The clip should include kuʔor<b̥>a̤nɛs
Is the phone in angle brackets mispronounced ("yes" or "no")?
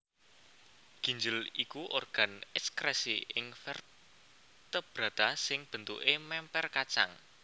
yes